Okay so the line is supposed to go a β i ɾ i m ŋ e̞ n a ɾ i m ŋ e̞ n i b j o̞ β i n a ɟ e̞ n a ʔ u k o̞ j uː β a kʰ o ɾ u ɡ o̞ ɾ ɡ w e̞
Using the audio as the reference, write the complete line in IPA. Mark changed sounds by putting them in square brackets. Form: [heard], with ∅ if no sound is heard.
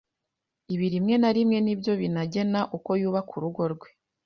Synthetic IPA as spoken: [i] β i ɾ i m ŋ e̞ n a ɾ i m ŋ e̞ n i b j o̞ β i n a ɟ e̞ n a ʔ u k o̞ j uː β a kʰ [u] ɾ u ɡ o̞ ɾ ɡ w e̞